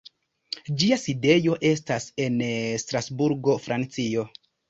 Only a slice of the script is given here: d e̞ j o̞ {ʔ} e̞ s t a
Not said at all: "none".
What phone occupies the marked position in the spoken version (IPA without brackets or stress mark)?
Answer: ʔ